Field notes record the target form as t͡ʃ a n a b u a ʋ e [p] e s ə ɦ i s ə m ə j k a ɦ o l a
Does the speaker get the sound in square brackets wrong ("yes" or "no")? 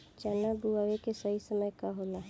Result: yes